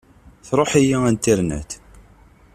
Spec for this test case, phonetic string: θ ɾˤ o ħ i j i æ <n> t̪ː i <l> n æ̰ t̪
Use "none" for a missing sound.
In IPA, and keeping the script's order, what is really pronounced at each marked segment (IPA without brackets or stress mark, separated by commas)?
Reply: n, ɾ